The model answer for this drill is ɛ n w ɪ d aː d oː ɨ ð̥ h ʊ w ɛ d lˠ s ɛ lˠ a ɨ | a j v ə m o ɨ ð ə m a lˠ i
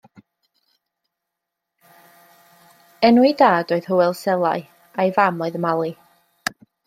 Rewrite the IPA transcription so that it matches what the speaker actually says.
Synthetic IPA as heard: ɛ n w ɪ d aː d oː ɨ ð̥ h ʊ w ɛ lˠ s ɛ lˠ a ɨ | a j v a m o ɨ ð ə m a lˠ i